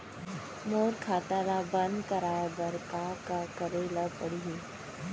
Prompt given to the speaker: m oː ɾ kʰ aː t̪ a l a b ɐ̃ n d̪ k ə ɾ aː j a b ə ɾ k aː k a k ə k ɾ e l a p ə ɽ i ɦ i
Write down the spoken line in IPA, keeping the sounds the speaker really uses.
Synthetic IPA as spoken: m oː ɾ kʰ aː t̪ a l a b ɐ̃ n d̪ k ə ɾ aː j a b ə ɾ k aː k a k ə ɾ e l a p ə ɽ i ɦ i